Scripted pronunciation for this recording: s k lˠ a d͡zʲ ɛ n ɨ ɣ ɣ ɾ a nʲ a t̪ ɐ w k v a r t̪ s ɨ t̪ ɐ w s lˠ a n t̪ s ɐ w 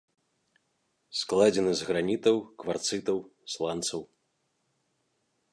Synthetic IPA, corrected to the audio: s k lˠ a d͡zʲ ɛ n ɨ z ɣ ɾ a nʲ i t̪ ɐ w k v a r t̪ s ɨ t̪ ɐ w s lˠ a n t̪ s ɐ w